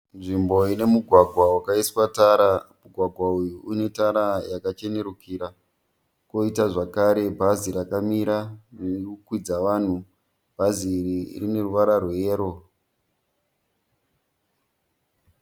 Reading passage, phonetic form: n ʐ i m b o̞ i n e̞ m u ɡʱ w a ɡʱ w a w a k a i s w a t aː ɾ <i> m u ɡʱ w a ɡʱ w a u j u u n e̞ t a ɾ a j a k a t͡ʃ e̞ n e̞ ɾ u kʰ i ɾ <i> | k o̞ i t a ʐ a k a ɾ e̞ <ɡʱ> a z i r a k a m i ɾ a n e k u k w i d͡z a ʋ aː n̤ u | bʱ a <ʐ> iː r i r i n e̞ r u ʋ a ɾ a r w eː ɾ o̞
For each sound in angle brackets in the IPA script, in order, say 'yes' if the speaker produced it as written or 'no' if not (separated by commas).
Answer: no, no, no, no